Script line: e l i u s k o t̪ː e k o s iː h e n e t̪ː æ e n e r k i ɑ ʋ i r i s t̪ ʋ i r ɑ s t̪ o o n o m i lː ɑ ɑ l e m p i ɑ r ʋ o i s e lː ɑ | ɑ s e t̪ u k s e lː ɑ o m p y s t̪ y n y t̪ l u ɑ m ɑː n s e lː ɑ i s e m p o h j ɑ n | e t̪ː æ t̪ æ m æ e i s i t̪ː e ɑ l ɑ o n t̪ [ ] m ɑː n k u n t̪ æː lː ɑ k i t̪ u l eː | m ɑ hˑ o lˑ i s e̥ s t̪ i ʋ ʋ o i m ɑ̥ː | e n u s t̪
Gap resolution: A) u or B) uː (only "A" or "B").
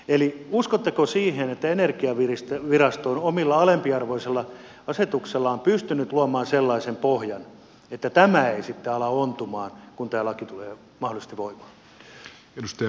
A